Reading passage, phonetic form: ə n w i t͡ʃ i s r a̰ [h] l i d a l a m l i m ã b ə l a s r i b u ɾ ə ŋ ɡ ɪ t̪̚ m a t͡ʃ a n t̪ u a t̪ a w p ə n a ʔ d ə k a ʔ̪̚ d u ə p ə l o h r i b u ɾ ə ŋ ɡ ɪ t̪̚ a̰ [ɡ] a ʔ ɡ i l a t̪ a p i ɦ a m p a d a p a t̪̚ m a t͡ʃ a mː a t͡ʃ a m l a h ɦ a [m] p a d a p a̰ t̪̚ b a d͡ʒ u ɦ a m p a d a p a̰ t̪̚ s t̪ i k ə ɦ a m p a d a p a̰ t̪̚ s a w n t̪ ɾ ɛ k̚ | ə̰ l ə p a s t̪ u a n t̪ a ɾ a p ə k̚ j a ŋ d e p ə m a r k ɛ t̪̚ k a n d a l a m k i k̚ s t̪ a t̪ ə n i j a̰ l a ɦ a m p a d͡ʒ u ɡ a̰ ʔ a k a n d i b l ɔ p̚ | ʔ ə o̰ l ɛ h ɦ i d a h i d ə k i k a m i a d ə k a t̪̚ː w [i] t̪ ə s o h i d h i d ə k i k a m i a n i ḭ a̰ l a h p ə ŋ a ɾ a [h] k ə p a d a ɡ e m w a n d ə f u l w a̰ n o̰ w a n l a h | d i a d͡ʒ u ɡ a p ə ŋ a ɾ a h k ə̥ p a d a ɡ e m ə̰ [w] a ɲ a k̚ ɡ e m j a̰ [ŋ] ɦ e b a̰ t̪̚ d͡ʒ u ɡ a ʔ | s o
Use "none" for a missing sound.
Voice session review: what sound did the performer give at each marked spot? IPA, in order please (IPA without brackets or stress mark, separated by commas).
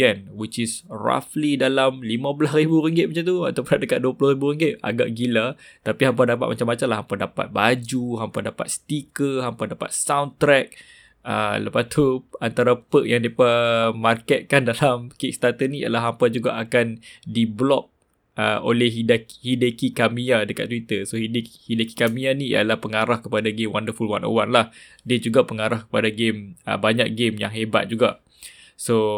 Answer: f, ɡ, m, i, h, b, ŋ